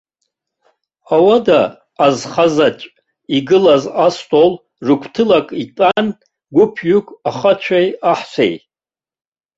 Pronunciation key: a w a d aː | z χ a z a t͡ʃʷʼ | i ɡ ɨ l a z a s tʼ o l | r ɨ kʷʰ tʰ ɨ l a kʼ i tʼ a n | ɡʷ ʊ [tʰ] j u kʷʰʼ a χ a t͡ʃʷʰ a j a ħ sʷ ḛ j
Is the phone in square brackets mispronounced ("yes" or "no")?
yes